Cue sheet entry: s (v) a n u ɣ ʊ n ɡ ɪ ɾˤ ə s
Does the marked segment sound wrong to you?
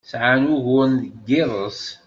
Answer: yes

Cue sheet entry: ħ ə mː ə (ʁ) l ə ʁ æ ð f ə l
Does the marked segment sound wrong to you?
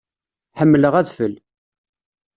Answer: yes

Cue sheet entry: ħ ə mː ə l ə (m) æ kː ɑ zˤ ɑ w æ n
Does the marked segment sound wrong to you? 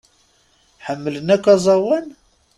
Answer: yes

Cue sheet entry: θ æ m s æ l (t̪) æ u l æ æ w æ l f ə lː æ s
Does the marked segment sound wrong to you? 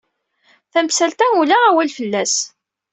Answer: no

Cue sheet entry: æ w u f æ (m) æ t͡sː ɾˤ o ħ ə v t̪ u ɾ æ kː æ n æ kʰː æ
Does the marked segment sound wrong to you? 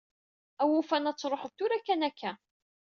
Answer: yes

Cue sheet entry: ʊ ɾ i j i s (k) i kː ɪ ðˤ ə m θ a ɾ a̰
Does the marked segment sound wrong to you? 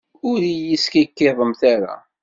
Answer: no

